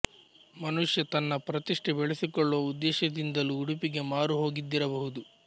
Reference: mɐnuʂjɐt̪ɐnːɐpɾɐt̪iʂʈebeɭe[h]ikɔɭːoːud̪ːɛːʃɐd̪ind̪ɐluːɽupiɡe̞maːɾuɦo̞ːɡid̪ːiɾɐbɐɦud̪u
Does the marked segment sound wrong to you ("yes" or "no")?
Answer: yes